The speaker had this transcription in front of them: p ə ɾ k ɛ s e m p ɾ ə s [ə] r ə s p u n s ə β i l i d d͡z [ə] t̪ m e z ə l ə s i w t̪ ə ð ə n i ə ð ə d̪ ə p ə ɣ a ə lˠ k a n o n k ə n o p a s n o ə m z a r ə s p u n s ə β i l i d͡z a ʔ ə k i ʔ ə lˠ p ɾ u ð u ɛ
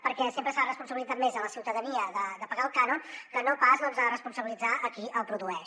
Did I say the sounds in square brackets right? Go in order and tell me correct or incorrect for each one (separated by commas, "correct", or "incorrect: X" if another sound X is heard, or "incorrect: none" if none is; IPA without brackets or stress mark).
incorrect: a, incorrect: a